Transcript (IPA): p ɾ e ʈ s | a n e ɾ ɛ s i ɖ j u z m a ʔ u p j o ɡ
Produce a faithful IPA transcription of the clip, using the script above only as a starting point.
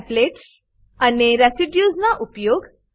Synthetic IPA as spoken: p l e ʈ s | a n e ɾ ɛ s i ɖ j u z n a ʔ u p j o ɡ

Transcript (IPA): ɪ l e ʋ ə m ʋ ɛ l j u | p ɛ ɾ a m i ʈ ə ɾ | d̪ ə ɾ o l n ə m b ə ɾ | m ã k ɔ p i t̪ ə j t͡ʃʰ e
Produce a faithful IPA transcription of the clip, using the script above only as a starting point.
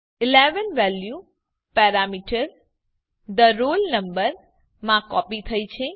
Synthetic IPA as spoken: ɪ l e ʋ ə n ʋ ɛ l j u | p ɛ ɾ a m i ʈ ə ɾ | d̪ ə ɾ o l n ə m b ə ɾ | m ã k ɔ p i t̪ʰ ə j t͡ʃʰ e

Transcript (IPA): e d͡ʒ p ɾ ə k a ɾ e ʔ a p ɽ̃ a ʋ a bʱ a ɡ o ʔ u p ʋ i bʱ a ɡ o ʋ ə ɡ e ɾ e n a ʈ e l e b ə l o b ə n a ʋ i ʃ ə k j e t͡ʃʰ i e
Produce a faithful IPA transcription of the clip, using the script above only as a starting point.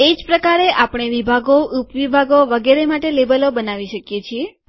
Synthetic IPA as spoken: e d͡ʒ p ɾ ə k a ɾ e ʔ a p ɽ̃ e ʋ i bʱ a ɡ o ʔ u p ʋ i bʱ a ɡ o ʋ ə ɡ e ɾ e m a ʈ e l e b ə l o b ə n a ʋ i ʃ ə k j e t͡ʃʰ i e

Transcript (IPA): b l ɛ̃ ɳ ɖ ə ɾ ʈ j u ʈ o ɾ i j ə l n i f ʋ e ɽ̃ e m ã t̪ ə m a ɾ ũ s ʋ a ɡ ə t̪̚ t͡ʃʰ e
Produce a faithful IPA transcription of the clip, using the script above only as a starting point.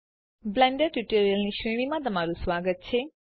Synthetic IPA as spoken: b l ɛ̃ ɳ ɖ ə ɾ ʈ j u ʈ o ɾ i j ə l n i ʃ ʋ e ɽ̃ i m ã t̪ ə m a ɾ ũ s ʋ a ɡ ə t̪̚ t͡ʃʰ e

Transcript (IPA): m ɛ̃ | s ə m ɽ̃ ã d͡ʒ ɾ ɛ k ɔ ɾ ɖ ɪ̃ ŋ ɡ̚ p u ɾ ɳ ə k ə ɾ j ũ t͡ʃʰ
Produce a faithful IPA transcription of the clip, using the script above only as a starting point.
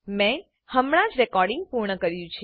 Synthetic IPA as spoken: m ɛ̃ | h ə m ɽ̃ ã d͡ʒ ɾ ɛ k ɔ ɾ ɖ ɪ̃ ŋ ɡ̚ p u ɾ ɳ ə k ə ɾ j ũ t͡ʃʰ

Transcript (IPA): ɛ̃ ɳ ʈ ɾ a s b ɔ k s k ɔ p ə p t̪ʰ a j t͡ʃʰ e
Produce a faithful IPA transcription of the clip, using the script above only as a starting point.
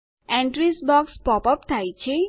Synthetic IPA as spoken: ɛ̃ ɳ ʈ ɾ i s b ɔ k s p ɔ p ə p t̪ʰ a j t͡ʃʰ e

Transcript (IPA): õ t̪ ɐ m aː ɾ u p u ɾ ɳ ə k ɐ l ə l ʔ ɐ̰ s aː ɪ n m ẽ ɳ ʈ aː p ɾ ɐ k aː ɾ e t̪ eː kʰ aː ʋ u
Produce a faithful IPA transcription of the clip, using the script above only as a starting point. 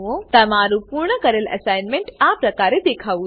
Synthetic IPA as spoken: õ t̪ ɐ m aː ɾ u p u ɾ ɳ ə k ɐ ɾ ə l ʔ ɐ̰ s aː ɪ n m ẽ ɳ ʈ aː p ɾ ɐ k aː ɾ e d̪ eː kʰ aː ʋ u

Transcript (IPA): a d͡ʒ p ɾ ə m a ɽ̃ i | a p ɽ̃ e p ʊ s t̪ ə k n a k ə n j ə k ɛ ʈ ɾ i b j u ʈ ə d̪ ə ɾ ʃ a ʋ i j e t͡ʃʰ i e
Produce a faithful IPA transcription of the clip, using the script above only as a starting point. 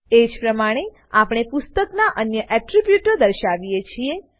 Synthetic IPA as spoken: e d͡ʒ p ɾ ə m a ɽ̃ e | a p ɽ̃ e p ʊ s t̪ ə k n a ʔ ə n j ə ʔ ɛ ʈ ɾ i b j u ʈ ə d̪ ə ɾ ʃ a ʋ i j e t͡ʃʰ i e

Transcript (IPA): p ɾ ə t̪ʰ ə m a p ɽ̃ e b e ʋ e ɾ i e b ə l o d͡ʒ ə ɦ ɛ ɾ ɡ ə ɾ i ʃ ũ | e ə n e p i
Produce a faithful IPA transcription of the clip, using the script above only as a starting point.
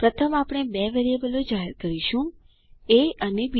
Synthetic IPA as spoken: p ɾ ə t̪ʰ ə m a p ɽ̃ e b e ʋ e ɾ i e b ə l o d͡ʒ a ɦ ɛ ɾ k ə ɾ i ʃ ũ | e ə n e b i

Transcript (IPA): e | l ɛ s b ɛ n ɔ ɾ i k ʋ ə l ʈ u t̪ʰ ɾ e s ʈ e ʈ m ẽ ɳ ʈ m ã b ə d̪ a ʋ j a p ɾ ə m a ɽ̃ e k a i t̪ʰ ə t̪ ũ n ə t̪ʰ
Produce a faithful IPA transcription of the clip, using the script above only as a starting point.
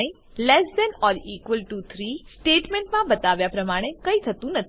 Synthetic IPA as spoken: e | l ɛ s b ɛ n ɔ ɾ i k ʋ ə l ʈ u t̪ʰ ɾ i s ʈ e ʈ m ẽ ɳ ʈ m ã b ə t̪ a ʋ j a p ɾ ə m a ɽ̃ e k ə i t̪ʰ ə t̪ ũ n ə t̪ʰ

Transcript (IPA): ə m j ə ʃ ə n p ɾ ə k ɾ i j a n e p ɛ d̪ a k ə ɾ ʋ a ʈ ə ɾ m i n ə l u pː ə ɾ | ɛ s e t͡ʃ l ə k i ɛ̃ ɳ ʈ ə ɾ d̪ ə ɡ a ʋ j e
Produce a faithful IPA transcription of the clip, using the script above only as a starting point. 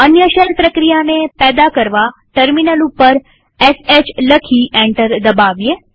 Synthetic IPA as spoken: ə n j ə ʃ ə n p ɾ ə k ɾ i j a n e p ɛ d̪ a k ə ɾ ʋ a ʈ ə ɾ m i n ə l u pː ə ɾ | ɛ s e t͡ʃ l ə kʰ i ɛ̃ ɳ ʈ ə ɾ d̪ ə b a ʋ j e

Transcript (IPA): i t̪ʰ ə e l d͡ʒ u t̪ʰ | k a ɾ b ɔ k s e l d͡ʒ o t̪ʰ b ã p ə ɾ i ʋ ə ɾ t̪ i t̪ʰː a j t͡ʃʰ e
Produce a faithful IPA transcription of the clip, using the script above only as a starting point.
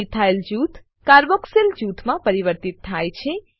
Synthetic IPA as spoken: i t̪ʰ a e l d͡ʒ u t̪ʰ | k a ɾ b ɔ k s e l d͡ʒ u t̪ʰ m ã p ə ɾ i ʋ ə ɾ t̪ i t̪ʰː a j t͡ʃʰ e

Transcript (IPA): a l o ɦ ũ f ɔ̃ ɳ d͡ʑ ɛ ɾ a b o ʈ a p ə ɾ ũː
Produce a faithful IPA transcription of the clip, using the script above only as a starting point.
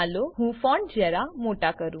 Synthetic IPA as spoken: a l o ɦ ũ f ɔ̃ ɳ d͡ʑ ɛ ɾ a m o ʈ a k ə ɾ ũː

